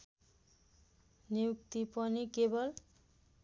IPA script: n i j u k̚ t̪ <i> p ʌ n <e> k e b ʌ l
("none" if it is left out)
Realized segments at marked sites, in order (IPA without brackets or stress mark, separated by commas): i, i